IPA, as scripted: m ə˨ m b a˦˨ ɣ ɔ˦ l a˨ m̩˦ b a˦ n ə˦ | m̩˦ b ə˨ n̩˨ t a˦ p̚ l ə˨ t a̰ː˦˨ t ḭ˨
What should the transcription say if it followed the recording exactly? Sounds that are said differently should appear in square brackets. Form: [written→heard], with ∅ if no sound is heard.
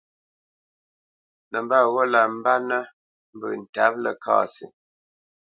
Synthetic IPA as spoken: [m→n] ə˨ m b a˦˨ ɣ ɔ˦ l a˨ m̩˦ b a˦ n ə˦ | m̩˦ b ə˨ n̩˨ t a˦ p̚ l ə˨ [t→k] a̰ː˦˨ [t→s] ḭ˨